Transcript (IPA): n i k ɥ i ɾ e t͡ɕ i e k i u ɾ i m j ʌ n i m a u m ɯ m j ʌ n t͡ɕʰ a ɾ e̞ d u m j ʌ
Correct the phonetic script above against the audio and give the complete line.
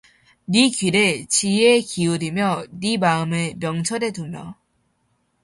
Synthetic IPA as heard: n i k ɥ i ɾ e t͡ɕ i e k i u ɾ i m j ʌ n i m a ɯ m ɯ m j ʌ ŋ t͡ɕʰ ʌ ɾ e̞ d u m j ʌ